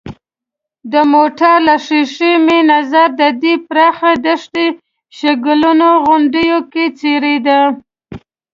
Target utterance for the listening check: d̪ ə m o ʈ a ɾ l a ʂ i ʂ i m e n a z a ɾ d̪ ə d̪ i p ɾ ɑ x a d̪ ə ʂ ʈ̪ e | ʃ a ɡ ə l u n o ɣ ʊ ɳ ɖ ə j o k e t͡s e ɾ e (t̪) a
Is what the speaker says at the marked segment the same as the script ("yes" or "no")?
no